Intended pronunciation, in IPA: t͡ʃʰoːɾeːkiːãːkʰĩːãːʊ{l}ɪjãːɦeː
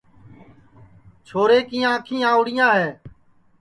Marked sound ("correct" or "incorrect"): incorrect